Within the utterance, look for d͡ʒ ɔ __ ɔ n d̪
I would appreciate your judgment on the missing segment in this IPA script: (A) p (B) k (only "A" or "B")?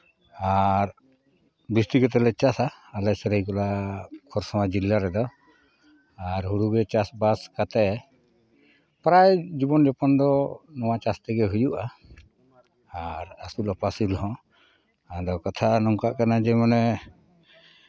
A